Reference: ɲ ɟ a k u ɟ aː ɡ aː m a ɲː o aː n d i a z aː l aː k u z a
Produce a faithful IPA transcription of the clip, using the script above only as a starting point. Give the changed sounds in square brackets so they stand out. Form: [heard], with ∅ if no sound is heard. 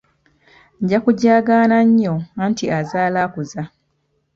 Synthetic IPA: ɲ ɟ a k u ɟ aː ɡ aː [n] a ɲː o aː n [t] i a z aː l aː k u z a